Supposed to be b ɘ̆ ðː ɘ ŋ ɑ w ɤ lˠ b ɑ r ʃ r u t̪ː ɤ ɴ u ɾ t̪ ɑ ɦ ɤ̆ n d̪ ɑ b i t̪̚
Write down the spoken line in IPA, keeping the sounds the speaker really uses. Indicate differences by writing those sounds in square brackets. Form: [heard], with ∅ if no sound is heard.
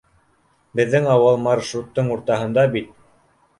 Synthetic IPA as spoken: b ɘ̆ ðː ɘ ŋ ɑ w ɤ lˠ [m] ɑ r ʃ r u t̪ː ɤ ɴ u ɾ t̪ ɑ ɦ ɤ̆ n d̪ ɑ b i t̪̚